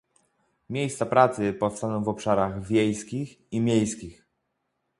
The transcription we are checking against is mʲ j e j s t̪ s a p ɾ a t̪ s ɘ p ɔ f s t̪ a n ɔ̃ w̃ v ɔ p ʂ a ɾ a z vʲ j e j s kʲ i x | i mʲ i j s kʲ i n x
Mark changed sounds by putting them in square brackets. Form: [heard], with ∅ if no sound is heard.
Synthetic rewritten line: mʲ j e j s t̪ s a p ɾ a t̪ s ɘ p ɔ f s t̪ a n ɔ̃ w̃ v ɔ p ʂ a ɾ a [ɣ] vʲ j e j s kʲ i x | i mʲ [e] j s kʲ i [∅] x